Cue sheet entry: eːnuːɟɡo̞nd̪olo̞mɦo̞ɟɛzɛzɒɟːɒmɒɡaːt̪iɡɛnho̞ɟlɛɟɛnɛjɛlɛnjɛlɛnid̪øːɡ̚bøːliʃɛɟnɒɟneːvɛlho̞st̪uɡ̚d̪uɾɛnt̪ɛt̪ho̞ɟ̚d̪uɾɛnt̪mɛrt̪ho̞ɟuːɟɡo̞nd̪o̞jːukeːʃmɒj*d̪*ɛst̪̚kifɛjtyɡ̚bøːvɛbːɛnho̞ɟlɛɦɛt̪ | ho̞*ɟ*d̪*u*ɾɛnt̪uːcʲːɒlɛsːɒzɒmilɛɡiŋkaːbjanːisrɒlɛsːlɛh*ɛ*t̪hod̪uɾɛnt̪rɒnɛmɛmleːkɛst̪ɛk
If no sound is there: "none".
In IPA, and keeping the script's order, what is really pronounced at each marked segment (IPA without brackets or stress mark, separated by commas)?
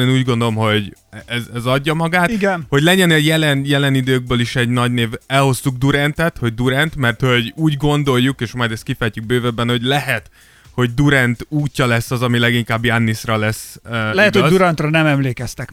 d̪, ɟ, u, ɛ